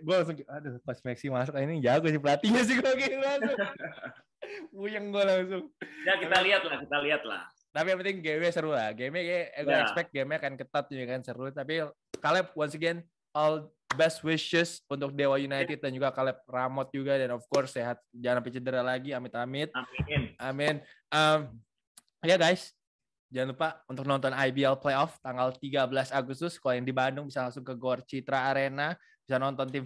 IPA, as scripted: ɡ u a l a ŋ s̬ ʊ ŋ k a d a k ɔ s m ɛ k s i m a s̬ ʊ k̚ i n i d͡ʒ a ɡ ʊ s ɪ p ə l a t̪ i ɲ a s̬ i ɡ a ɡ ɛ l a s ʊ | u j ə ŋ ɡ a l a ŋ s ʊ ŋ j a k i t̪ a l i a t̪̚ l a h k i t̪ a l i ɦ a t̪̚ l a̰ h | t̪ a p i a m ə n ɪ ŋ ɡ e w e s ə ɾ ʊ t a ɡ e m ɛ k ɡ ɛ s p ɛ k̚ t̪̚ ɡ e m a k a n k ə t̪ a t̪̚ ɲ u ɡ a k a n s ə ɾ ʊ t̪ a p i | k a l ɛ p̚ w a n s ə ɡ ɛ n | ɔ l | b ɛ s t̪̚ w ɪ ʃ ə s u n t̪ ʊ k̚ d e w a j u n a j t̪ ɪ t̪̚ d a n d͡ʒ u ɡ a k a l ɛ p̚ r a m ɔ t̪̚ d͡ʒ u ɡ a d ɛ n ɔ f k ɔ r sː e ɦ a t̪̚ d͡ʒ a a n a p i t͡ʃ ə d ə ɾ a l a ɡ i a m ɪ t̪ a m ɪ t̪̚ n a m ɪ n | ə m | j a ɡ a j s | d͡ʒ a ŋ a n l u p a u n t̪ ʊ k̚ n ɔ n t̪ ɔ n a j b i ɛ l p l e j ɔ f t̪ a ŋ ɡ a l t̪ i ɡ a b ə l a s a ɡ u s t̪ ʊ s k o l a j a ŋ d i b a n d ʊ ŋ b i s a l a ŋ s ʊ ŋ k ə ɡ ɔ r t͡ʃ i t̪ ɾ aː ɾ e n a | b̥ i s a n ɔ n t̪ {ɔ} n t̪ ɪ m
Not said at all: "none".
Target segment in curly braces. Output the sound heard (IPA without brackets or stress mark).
ɔ